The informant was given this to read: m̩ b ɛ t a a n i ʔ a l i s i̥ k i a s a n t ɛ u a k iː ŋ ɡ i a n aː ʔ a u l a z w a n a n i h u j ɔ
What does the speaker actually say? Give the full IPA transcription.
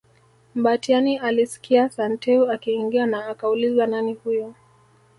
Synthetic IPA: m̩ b a t i a n i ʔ a l i s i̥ k i a s a n t ɛ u a k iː ŋ ɡ i a n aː k a u l i z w a n a n i h u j ɔ